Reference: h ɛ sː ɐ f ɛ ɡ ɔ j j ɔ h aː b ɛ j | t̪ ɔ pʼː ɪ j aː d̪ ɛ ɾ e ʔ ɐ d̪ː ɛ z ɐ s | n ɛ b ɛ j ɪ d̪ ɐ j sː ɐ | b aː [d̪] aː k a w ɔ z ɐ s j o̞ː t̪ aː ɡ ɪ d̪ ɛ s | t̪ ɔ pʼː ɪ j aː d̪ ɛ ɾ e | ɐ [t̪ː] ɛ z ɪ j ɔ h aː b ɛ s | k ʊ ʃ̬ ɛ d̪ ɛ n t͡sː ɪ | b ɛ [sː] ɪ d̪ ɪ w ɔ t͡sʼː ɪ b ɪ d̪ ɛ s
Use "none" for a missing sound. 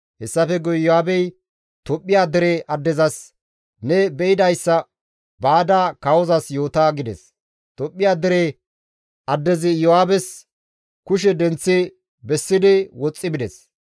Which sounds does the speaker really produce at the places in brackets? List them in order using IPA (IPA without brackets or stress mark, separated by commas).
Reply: d̪, d̪ː, sː